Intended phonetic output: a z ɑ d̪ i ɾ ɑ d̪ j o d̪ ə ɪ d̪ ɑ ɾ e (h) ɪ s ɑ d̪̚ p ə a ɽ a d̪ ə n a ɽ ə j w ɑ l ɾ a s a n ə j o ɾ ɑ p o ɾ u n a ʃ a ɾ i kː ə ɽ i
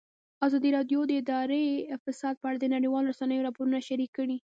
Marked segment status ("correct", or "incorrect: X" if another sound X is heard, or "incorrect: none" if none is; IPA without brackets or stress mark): incorrect: f